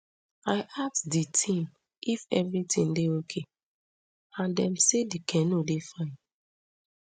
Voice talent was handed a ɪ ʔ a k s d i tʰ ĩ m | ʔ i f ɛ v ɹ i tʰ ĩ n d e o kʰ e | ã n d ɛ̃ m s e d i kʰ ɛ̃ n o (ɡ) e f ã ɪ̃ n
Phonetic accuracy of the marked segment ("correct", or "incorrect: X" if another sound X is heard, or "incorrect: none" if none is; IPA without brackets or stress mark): incorrect: d